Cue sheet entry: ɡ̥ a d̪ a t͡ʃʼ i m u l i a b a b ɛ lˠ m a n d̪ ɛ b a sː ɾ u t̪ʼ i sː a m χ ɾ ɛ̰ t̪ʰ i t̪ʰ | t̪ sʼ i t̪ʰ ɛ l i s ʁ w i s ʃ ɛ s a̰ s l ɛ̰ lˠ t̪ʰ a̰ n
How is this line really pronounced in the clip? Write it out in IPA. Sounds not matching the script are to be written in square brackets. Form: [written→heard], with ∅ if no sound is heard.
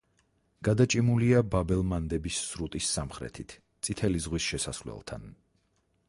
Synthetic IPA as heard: ɡ̥ a d̪ a t͡ʃʼ i m u l i a b a b ɛ lˠ m a n d̪ ɛ b [a→i] sː ɾ u t̪ʼ i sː a m χ ɾ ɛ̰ t̪ʰ i t̪ʰ | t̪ sʼ i t̪ʰ ɛ l i [s→z] ʁ w i s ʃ ɛ s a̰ s l ɛ̰ lˠ t̪ʰ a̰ n